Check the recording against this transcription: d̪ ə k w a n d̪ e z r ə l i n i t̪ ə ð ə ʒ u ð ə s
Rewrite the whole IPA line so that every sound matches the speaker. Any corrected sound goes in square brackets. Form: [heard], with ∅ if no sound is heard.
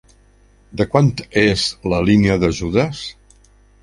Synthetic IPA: d̪ ə k w a n [t̪] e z [l] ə l i n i [∅] ə ð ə ʒ u ð ə s